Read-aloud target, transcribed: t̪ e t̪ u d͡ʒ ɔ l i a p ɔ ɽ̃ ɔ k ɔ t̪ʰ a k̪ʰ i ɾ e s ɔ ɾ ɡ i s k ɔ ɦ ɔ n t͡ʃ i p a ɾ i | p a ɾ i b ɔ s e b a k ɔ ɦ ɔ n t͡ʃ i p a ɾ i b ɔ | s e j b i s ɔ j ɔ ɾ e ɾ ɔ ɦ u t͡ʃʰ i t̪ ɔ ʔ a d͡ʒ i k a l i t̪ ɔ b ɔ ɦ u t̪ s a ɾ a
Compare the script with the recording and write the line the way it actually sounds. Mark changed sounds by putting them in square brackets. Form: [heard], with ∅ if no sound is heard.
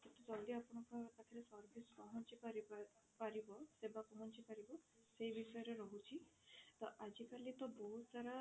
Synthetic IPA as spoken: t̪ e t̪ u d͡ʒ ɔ l i a p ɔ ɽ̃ ɔ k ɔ [t̪] a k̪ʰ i ɾ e s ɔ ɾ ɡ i s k ɔ ɦ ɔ n t͡ʃ i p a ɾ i | p a ɾ i b ɔ s e b a k ɔ ɦ ɔ n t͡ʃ i p a ɾ i b ɔ | s e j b i s ɔ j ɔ ɾ e ɾ ɔ ɦ u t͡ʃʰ i t̪ ɔ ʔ a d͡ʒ i k a l i t̪ ɔ b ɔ ɦ u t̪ s a ɾ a

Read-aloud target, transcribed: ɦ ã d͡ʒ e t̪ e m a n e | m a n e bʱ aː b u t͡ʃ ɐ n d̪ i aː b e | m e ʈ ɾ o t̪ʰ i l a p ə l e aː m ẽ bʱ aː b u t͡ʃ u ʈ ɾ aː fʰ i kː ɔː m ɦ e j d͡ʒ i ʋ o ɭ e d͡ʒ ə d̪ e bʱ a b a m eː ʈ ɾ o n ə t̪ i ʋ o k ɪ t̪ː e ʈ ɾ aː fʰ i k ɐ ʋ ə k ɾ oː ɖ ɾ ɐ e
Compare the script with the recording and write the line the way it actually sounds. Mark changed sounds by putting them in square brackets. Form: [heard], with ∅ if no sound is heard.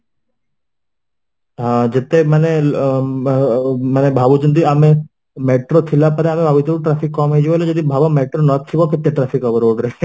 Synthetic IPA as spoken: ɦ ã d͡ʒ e t̪ e m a n e | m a n e bʱ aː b u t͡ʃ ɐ n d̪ i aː [m] e | m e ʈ ɾ o t̪ʰ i l a p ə [ɾ] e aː m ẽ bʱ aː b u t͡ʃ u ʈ ɾ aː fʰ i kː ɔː m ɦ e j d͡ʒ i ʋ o [l] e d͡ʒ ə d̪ [i] bʱ a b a m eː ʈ ɾ o n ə [t̪ʰ] i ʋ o k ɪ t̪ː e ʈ ɾ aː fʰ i k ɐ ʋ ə [∅] ɾ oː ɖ ɾ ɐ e

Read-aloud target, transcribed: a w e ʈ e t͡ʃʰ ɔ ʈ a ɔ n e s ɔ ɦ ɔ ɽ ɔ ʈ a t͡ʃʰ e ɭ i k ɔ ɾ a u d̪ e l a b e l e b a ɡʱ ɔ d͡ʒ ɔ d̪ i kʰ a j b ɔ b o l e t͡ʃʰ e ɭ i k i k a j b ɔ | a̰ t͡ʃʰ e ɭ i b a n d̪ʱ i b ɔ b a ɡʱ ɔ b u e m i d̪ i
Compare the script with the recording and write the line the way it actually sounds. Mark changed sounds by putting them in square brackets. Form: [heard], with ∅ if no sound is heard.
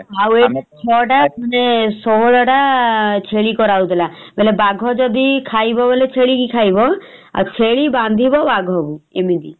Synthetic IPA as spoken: a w e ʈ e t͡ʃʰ ɔ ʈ a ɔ n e s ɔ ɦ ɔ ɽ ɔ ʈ a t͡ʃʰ e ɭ i k ɔ ɾ a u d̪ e l a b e l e b a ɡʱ ɔ d͡ʒ ɔ d̪ i kʰ a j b ɔ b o l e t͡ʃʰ e ɭ i k i [kʰ] a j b ɔ | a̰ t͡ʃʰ e ɭ i b a n d̪ʱ i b ɔ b a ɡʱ ɔ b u e m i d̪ i

